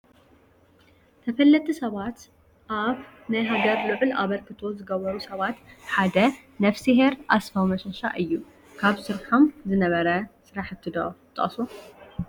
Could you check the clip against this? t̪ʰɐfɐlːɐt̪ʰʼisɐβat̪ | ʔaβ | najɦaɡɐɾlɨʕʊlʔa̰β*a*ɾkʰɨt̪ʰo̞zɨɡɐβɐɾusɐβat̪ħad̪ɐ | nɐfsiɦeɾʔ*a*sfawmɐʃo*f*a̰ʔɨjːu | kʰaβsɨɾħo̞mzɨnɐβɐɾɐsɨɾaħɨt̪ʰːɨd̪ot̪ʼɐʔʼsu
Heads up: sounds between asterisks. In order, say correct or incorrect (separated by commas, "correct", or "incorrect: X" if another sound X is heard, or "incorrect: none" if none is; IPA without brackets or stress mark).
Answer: incorrect: ɐ, correct, incorrect: ʃ